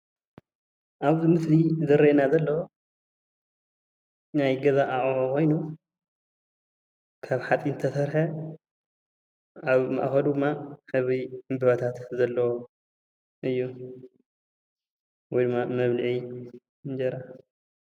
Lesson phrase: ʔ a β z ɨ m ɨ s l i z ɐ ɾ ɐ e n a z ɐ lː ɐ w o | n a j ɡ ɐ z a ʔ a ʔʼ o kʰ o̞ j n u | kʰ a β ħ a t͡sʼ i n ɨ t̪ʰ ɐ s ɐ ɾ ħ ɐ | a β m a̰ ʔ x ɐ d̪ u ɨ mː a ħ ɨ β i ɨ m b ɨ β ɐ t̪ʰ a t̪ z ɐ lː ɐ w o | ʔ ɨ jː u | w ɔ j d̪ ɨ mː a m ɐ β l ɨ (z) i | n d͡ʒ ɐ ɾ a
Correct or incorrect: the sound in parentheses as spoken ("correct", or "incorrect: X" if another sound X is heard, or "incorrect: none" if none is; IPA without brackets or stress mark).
incorrect: ʕ